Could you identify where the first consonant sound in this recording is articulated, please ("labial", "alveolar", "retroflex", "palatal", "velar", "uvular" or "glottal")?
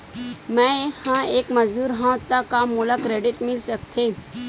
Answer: labial